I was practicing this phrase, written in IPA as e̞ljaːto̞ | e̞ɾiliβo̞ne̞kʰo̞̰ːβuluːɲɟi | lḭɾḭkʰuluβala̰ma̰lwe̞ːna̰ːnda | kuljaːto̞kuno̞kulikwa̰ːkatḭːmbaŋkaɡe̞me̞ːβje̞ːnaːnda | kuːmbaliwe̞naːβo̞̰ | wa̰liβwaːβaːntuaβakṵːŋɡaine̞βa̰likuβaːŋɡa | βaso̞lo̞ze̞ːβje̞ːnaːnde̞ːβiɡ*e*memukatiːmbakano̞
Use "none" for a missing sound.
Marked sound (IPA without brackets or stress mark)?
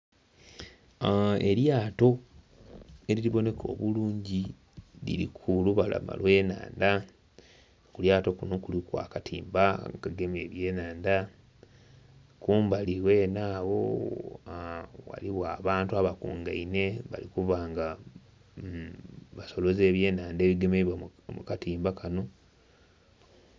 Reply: e